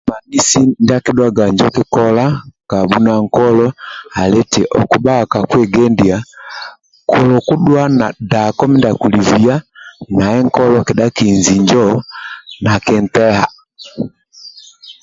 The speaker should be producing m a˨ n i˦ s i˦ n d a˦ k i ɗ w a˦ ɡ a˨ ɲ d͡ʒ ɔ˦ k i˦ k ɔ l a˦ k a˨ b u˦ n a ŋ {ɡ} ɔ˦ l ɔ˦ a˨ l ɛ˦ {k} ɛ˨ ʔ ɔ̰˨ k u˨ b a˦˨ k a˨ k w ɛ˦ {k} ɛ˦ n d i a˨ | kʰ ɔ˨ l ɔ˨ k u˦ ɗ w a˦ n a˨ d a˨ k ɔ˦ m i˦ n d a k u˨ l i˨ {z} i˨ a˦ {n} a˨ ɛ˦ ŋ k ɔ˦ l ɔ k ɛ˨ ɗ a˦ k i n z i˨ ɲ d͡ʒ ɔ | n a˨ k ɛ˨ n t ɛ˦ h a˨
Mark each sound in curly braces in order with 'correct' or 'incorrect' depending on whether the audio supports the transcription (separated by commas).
incorrect, incorrect, incorrect, incorrect, correct